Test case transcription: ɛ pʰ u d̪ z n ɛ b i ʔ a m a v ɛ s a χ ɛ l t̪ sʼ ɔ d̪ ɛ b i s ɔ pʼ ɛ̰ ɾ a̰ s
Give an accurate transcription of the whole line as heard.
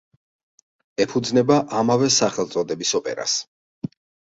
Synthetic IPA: ɛ pʰ u d̪ z n ɛ b a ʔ a m a v ɛ s a χ ɛ l t̪ sʼ ɔ d̪ ɛ b i s ɔ pʼ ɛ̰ ɾ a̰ s